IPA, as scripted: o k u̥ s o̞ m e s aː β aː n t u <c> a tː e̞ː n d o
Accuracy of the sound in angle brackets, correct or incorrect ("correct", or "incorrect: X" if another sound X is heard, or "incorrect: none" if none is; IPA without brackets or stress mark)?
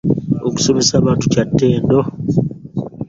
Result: correct